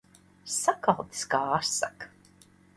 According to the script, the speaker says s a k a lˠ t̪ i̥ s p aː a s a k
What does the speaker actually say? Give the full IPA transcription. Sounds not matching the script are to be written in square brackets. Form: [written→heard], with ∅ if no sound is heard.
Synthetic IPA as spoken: s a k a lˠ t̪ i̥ s [p→k] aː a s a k